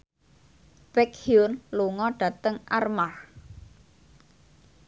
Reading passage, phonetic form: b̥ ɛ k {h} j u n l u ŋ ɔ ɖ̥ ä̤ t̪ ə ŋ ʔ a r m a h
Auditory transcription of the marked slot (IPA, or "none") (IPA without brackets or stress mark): h